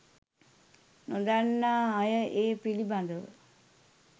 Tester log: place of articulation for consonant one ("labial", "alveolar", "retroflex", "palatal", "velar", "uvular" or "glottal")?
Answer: alveolar